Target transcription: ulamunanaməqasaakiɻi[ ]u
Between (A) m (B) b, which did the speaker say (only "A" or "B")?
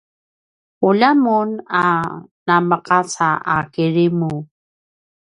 A